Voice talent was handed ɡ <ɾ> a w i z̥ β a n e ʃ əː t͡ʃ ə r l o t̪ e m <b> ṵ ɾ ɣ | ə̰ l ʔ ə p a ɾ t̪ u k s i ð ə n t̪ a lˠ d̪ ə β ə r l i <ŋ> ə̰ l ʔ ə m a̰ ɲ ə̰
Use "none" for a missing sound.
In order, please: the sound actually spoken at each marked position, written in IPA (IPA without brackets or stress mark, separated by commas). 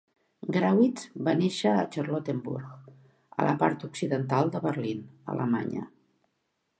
ɾ, b, n